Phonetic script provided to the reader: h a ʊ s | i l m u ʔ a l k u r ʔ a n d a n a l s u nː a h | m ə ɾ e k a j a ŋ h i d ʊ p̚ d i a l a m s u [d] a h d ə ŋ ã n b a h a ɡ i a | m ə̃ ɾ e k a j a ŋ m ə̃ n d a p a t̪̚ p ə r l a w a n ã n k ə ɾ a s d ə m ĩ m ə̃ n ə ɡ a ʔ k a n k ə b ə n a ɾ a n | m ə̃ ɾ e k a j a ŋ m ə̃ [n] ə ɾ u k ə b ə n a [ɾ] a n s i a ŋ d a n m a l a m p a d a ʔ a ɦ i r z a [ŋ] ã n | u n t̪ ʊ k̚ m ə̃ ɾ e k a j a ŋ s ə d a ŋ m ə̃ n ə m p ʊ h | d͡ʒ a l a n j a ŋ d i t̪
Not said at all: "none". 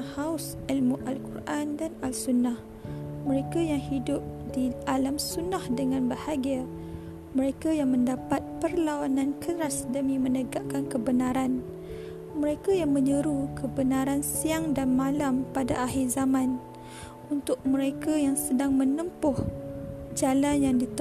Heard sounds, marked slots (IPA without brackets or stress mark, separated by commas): n, ɲ, ɾ, m